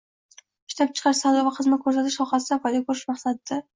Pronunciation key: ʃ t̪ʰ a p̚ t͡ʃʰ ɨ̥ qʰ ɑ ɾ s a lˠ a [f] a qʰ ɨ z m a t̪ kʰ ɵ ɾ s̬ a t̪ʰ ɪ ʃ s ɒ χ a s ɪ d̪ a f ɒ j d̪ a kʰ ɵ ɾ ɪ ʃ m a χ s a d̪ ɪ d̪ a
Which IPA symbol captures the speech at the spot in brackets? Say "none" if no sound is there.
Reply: v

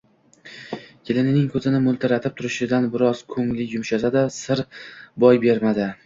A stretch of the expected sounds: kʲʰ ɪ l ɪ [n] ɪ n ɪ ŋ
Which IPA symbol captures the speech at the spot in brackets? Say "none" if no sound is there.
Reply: n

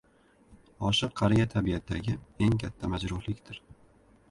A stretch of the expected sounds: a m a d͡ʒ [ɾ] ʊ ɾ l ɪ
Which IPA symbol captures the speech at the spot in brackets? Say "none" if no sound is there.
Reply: ɾ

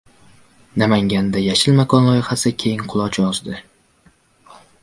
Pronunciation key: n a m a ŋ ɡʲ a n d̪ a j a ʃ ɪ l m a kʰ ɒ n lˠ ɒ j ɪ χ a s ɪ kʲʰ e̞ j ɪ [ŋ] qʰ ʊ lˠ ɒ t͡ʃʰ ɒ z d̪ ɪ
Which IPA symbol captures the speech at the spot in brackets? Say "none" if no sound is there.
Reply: ŋ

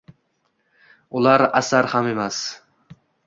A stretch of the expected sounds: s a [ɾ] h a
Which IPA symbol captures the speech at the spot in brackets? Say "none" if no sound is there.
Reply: ɾ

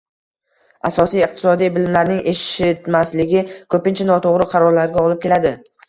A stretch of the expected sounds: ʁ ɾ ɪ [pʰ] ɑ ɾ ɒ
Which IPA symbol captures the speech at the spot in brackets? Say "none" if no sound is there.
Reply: qʰ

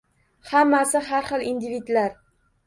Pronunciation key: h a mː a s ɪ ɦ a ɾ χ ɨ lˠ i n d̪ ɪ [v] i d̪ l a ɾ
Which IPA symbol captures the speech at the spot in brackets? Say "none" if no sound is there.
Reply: v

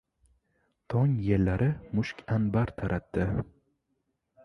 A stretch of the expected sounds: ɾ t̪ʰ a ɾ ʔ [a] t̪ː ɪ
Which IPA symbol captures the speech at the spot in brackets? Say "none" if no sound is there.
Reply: a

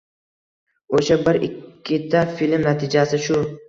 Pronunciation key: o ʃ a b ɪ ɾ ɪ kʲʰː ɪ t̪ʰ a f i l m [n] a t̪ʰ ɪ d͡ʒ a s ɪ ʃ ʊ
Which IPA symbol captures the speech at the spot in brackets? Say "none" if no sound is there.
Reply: n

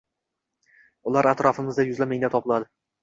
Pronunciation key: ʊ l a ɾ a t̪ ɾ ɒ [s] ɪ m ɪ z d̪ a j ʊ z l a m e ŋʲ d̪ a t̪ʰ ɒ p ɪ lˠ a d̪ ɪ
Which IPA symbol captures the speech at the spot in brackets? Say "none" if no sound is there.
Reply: f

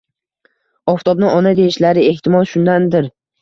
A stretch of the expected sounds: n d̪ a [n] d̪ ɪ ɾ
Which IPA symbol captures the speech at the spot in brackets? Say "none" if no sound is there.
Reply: n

